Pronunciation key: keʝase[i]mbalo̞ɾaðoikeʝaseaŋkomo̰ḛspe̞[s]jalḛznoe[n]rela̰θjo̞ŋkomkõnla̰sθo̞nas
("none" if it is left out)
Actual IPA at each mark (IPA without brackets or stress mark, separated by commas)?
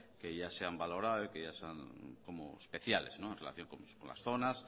a, θ, n